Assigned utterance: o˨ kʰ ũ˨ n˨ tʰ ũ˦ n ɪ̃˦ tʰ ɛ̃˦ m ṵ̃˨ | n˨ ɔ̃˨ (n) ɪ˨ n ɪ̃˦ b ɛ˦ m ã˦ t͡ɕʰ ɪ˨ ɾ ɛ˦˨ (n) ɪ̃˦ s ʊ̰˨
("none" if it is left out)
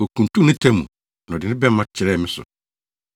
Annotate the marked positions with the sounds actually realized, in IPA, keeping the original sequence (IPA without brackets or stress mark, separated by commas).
d, m